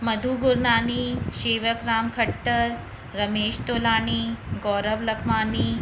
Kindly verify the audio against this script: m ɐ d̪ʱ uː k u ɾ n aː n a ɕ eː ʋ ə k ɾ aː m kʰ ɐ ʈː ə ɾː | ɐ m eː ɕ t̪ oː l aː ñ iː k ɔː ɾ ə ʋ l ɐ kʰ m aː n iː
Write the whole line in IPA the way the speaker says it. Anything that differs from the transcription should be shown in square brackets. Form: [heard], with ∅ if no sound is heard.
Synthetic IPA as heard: m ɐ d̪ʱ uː [ɡ] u ɾ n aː n [i] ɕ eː ʋ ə k ɾ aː m kʰ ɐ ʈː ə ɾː | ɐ m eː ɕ t̪ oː l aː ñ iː [ɡ] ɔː ɾ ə ʋ l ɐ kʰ m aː n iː